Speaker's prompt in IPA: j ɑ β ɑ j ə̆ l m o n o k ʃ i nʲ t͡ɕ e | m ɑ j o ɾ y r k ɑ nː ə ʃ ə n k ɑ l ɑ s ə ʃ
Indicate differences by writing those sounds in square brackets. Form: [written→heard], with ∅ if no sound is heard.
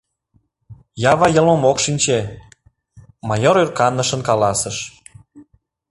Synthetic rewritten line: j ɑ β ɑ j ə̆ l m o [n→m] o k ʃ i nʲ t͡ɕ e | m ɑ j o ɾ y r k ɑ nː ə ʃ ə n k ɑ l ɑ s ə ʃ

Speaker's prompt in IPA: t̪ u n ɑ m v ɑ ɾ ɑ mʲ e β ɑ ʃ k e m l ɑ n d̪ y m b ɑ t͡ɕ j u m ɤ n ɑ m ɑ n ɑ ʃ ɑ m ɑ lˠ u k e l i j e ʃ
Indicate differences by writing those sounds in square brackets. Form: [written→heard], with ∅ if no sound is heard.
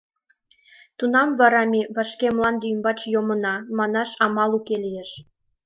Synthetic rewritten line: t̪ u n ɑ m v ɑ ɾ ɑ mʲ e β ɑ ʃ k e m l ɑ n d̪ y m b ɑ t͡ɕ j [u→o] m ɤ n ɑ m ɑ n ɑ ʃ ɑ m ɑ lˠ u k e l i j e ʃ

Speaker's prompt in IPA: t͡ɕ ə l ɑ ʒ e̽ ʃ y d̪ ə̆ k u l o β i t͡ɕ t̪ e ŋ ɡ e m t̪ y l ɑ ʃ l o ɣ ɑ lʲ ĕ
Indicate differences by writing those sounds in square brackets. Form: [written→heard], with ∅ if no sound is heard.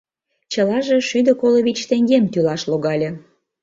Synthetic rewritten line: t͡ɕ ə l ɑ ʒ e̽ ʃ y d̪ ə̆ k [u→o] l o β i t͡ɕ t̪ e ŋ ɡ e m t̪ y l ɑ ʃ l o ɣ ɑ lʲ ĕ

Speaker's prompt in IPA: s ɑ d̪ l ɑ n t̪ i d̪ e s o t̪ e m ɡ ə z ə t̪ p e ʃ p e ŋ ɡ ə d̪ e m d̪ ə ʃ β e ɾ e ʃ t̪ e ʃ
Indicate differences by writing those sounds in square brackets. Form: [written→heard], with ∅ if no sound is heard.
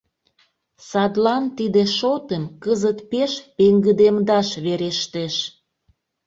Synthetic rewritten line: s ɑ d̪ l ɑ n t̪ i d̪ e [s→ʃ] o t̪ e m [ɡ→k] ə z ə t̪ p e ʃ p e ŋ ɡ ə d̪ e m d̪ [ə→ɑ] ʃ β e ɾ e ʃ t̪ e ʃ

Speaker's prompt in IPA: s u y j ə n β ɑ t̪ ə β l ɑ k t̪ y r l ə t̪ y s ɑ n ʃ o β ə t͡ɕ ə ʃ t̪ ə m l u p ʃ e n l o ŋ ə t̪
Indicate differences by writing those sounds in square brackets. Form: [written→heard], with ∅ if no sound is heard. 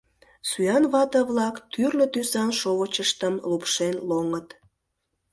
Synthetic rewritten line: s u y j [ə→ɑ] n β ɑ t̪ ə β l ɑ k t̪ y r l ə t̪ y s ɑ n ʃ o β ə t͡ɕ ə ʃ t̪ ə m l u p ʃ e n l o ŋ ə t̪

